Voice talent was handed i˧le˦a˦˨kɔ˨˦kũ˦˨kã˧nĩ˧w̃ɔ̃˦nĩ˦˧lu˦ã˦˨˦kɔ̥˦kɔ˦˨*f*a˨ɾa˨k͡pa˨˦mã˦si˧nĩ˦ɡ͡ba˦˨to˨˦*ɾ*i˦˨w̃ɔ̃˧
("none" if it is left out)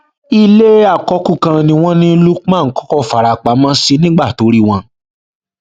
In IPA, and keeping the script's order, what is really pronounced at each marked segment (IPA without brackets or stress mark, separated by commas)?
f, ɾ